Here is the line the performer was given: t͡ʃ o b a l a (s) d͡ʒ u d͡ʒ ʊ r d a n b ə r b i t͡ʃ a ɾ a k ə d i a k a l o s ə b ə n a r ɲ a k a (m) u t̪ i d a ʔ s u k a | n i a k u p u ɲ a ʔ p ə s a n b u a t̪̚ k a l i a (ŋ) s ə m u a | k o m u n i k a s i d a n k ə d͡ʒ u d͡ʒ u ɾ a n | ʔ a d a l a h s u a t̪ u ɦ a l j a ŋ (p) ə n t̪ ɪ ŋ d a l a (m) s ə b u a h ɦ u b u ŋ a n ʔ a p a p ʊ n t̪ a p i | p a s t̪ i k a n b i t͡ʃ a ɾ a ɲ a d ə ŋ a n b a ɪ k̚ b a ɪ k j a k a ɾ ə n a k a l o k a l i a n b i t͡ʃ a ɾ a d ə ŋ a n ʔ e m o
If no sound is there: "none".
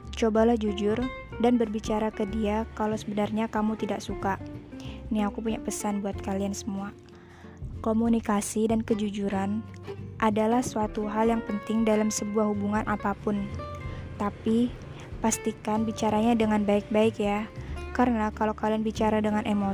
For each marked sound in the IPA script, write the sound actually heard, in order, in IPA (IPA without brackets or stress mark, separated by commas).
h, m, n, p, m